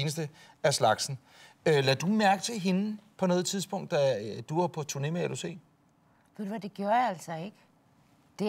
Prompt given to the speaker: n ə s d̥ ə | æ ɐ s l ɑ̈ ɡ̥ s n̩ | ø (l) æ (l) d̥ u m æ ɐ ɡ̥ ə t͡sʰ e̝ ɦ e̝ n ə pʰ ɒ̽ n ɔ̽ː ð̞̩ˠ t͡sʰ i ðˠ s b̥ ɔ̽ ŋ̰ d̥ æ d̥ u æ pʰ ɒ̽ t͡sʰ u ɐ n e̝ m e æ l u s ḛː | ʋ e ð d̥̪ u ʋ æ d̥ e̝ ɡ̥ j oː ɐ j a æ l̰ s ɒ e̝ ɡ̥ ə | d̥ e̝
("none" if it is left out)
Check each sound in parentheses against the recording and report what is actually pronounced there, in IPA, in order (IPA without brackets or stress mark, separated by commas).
l, none